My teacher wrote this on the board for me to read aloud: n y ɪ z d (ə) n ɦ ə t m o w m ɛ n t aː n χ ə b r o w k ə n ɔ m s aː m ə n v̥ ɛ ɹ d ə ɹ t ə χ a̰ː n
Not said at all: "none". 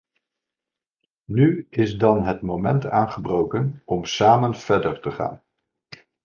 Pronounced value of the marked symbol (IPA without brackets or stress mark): ɑ